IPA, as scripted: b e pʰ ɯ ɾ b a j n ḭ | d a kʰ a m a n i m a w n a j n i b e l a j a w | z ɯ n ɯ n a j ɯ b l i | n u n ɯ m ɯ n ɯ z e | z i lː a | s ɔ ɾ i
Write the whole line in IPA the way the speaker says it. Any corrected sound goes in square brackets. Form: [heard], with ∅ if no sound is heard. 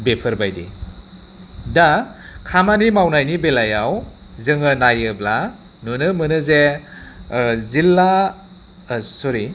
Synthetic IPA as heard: b e pʰ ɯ ɾ b a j [d] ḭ | d a kʰ a m a n i m a w n a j n i b e l a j a w | z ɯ [ŋ] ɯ n a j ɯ b l [a] | n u n ɯ m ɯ n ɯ z e | z i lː a | s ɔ ɾ i